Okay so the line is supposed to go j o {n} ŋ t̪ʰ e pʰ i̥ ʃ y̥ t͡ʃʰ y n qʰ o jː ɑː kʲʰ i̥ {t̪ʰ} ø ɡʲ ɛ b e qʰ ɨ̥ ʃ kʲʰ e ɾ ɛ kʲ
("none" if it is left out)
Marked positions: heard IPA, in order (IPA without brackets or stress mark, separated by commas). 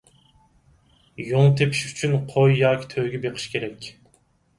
none, t̪ʰ